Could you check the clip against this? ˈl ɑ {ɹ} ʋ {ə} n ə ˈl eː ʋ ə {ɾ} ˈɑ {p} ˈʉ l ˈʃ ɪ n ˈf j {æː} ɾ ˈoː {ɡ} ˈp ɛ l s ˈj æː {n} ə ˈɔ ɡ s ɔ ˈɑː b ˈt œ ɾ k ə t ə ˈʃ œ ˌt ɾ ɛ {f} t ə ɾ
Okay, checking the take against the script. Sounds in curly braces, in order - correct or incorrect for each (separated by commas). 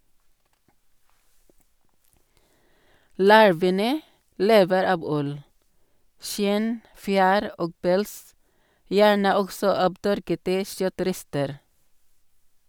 correct, correct, correct, incorrect, correct, correct, incorrect, incorrect